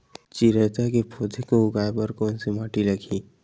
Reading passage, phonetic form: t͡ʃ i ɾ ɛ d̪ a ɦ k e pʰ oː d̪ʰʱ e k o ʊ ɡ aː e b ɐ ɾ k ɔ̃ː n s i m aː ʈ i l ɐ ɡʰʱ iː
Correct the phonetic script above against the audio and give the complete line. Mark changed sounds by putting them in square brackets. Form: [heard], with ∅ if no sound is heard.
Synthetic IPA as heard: t͡ʃ i ɾ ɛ [t̪] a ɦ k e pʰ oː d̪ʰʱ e k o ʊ ɡ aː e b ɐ ɾ k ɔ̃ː n s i m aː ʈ i l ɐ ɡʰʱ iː